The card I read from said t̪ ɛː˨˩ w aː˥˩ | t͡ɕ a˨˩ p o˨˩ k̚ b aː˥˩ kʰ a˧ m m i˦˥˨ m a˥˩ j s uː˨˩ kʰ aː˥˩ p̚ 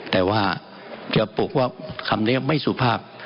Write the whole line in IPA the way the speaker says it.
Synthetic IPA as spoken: t̪ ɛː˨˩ w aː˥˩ | t͡ɕ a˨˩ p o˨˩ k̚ w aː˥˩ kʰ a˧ m n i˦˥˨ m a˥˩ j s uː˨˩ pʰ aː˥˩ p̚